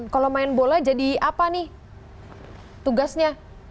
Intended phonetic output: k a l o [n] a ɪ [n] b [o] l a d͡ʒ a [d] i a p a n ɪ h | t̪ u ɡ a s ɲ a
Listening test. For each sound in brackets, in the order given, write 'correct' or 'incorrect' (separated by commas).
incorrect, correct, correct, correct